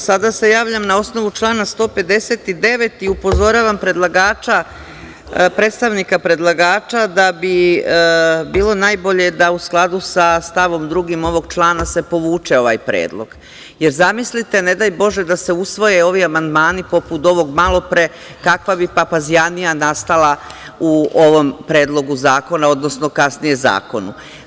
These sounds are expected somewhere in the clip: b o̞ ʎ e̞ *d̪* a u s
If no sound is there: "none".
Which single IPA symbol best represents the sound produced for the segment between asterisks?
d̪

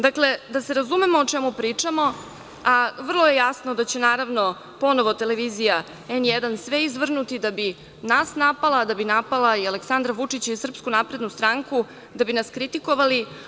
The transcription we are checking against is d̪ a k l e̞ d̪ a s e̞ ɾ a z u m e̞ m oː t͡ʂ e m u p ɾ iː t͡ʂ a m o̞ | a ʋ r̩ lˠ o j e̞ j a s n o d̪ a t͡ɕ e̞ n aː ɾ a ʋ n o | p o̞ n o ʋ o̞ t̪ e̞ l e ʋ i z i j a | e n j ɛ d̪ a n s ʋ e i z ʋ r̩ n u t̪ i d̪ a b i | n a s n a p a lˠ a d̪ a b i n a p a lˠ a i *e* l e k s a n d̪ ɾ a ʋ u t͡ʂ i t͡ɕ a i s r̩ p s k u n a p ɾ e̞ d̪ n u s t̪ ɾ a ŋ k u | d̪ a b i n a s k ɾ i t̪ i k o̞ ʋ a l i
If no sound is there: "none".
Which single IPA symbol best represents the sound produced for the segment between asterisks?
a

